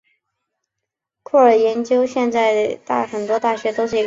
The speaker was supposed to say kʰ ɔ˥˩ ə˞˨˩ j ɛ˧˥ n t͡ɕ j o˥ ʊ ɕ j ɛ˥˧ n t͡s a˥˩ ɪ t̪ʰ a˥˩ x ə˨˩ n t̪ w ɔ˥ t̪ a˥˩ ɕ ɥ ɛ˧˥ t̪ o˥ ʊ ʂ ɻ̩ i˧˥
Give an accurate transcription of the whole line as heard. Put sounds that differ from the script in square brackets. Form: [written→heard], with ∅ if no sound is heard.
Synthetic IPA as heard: kʰ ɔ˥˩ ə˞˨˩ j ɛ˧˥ n t͡ɕ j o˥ ʊ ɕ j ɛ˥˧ n t͡s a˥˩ ɪ [t̪ʰ→t̪] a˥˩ x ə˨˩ n t̪ w ɔ˥ t̪ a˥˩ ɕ ɥ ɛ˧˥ t̪ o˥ ʊ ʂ ɻ̩ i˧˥